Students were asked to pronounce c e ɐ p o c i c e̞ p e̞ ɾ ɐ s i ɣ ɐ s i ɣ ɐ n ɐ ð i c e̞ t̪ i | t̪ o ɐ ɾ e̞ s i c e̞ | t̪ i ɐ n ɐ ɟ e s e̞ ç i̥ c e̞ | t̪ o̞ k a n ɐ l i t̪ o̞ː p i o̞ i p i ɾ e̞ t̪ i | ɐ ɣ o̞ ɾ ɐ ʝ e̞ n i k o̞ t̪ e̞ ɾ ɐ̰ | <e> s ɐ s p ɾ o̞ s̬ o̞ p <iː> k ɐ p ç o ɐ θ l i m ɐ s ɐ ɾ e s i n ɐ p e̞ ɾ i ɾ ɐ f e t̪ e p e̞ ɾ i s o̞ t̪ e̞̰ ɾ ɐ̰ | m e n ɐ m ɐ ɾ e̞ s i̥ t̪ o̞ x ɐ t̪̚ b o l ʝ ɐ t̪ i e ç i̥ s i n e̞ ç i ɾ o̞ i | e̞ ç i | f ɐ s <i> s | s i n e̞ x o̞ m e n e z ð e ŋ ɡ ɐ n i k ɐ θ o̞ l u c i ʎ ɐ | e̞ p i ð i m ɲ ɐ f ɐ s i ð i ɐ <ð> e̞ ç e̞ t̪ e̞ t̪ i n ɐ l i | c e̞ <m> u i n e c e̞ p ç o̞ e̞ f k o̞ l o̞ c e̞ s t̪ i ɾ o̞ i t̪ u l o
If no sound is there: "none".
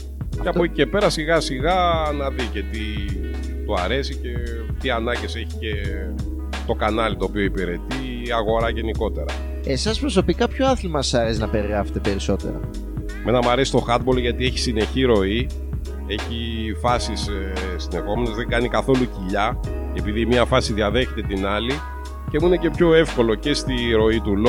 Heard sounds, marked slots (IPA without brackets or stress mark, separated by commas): e, i, i, ð, m